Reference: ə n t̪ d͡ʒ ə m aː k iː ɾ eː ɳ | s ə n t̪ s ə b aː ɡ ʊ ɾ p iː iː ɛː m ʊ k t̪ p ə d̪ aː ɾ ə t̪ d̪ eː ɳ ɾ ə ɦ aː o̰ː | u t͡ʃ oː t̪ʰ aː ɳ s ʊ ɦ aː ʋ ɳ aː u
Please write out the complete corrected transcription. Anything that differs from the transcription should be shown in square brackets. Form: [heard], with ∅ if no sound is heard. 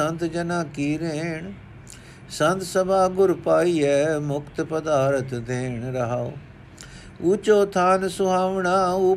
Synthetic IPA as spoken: ə n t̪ d͡ʒ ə [n] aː k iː ɾ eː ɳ | s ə n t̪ s ə b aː ɡ ʊ ɾ p [aː] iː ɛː m ʊ k t̪ p ə d̪ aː ɾ ə t̪ d̪ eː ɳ ɾ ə ɦ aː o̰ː | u t͡ʃ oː t̪ʰ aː [n] s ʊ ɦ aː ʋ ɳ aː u